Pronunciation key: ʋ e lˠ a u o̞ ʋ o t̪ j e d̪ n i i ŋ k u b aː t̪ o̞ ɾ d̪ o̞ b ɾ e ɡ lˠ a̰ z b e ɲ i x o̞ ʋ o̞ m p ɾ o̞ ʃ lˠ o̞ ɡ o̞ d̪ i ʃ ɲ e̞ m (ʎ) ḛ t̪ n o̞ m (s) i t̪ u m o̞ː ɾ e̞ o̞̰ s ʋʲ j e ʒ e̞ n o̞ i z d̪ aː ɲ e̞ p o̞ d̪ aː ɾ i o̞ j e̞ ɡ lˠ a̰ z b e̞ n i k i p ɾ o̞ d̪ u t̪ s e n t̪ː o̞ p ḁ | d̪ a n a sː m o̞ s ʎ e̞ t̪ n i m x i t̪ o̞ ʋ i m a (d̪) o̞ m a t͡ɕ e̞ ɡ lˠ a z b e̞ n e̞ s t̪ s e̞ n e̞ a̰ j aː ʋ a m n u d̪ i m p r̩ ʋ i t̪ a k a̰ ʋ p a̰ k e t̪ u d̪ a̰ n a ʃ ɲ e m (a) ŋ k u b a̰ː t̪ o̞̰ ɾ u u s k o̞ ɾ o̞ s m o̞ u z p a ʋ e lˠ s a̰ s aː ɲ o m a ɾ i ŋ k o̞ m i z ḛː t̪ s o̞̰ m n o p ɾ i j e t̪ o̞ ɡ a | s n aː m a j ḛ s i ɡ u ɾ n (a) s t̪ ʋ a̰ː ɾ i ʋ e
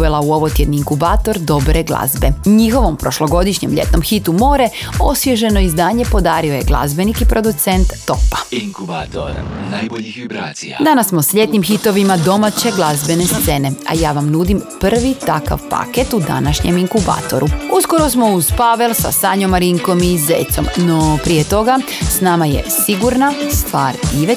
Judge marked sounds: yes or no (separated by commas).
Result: yes, no, yes, no, yes